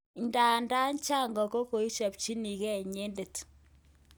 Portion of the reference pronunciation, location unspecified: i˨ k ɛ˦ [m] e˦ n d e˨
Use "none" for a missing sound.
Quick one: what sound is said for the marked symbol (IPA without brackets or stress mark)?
ɲ